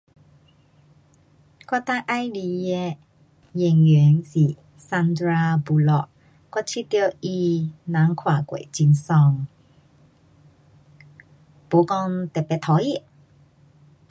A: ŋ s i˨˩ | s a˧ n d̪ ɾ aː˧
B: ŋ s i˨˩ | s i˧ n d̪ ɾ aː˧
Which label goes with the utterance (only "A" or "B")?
A